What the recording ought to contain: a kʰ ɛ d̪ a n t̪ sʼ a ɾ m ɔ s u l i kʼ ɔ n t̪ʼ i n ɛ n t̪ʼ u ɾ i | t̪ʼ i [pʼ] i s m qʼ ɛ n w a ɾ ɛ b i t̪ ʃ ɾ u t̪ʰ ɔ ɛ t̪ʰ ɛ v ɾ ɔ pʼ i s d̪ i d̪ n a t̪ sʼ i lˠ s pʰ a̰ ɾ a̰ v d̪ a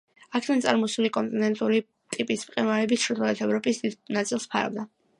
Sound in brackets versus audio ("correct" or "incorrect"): correct